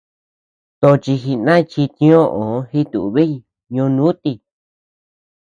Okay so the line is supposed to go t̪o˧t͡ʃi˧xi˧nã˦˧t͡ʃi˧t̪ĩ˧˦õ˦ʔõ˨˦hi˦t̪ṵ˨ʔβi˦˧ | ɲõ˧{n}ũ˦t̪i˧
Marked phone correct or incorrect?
correct